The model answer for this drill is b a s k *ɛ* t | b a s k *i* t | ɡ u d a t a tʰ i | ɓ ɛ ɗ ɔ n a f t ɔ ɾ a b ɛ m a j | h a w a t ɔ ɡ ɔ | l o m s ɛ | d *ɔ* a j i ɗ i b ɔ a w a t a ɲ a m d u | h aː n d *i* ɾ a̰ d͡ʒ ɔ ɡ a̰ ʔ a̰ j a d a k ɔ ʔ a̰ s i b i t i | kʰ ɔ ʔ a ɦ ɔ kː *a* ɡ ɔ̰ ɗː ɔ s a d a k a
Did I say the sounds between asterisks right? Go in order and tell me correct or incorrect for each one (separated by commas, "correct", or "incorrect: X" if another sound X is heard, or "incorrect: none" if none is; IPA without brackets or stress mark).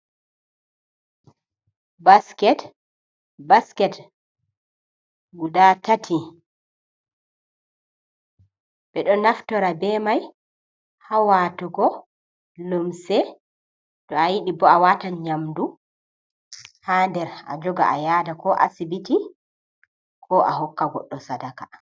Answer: correct, incorrect: ɛ, correct, incorrect: ɛ, correct